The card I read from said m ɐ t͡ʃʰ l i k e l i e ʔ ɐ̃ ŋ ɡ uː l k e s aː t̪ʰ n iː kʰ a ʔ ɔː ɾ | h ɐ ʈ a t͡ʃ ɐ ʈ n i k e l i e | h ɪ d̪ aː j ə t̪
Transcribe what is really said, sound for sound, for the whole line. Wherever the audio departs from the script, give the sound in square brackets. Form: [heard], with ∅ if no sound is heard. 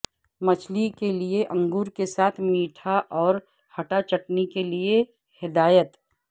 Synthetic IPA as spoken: m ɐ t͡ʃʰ l i k e l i e ʔ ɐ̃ ŋ ɡ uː [ɾ] k e s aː t̪ʰ [m] iː [ʈʰ] a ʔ ɔː ɾ | h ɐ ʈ a t͡ʃ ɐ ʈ n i k e l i e | h ɪ d̪ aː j ə t̪